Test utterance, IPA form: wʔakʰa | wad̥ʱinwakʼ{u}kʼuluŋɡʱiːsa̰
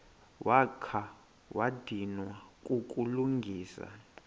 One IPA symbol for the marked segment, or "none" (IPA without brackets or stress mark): u